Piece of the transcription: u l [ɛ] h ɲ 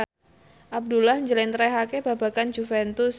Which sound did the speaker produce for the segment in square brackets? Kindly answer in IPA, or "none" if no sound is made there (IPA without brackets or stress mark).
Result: a